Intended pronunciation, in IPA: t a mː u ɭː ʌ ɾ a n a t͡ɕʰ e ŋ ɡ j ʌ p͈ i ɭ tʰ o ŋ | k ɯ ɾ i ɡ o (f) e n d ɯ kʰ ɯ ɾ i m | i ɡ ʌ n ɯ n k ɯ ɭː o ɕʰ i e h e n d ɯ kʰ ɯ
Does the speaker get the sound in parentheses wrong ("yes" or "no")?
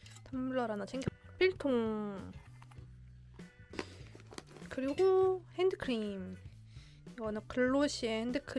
yes